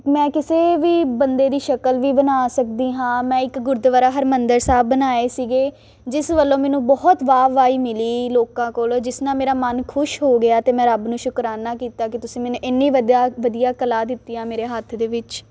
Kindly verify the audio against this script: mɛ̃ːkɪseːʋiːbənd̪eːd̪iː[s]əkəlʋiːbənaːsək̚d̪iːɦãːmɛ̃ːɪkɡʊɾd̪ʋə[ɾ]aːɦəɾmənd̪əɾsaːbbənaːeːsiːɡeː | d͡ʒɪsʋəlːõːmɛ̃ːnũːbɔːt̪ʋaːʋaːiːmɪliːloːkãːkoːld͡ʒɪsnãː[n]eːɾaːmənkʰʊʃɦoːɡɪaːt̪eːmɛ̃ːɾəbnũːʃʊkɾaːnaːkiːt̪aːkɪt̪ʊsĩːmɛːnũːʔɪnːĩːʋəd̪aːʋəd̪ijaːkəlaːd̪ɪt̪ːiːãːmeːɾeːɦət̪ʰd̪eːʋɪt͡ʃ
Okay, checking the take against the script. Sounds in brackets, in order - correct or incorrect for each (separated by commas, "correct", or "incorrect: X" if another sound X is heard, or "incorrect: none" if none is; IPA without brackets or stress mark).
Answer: incorrect: ʃ, correct, incorrect: m